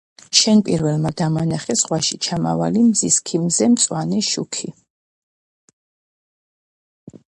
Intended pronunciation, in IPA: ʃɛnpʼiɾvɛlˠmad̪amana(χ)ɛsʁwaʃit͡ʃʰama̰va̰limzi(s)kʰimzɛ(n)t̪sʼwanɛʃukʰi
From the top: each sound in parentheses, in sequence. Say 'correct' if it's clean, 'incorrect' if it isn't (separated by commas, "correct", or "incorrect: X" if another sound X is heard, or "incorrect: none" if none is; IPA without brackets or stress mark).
correct, correct, incorrect: m